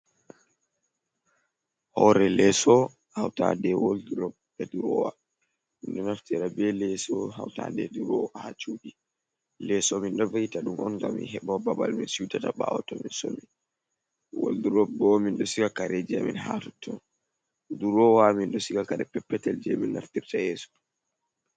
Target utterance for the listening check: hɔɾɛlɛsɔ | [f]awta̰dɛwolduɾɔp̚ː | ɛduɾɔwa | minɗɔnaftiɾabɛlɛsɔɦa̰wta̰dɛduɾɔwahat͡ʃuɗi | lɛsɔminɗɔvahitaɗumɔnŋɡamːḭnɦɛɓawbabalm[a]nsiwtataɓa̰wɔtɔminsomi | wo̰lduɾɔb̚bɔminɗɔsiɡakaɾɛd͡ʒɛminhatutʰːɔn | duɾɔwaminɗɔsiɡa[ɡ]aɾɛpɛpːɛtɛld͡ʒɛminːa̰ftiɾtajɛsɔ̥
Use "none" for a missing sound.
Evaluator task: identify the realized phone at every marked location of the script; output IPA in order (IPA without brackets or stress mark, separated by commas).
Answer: h, i, k